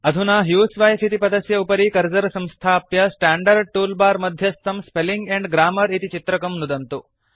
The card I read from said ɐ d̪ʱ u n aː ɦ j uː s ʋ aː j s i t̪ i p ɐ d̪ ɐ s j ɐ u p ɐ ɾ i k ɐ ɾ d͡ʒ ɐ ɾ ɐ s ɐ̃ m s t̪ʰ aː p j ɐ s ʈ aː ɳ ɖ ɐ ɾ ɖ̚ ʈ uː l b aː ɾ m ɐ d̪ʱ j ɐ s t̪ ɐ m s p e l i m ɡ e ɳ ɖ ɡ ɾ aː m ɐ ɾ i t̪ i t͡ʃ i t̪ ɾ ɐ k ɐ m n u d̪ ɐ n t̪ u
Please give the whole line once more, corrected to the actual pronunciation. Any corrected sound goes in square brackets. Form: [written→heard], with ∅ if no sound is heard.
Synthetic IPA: ɐ d̪ʱ u n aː ɦ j uː s ʋ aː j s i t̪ i p ɐ d̪ ɐ s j ɐ u p ɐ ɾ i k ɐ ɾ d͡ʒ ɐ ɾ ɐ s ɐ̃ m s t̪ʰ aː p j ɐ s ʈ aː ɳ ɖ ɐ ɾ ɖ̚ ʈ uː l b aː ɾ m ɐ d̪ʱ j ɐ s t̪ ɐ m s p e l i [m→ŋ] ɡ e ɳ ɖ ɡ ɾ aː m ɐ ɾ i t̪ i t͡ʃ i t̪ ɾ ɐ k ɐ m n u d̪ ɐ n t̪ u